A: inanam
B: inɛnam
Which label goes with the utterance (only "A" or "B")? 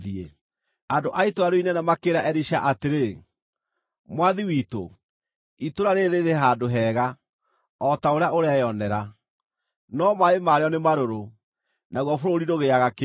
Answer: B